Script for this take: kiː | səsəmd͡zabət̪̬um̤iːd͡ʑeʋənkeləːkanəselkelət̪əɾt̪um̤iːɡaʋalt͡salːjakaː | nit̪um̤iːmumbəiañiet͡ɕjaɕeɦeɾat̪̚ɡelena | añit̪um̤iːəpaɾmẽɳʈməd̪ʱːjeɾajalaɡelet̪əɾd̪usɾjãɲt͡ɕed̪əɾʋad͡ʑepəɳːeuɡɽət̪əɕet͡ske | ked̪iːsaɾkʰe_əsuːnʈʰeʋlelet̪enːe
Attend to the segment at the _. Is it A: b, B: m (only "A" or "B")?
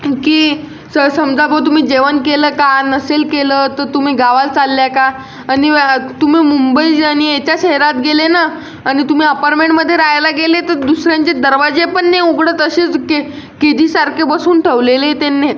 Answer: A